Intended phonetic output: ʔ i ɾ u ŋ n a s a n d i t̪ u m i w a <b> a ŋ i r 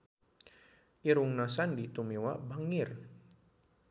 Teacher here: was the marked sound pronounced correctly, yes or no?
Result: yes